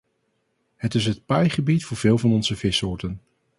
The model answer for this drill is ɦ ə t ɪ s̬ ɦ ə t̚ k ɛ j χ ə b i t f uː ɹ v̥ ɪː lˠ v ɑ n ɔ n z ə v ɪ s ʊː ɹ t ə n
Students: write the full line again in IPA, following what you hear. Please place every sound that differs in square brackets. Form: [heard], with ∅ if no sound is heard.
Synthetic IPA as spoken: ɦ ə t ɪ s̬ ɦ ə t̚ [p] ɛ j χ ə b i t f [ʊː] ɹ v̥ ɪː lˠ v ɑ n ɔ n z ə v ɪ s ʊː ɹ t ə n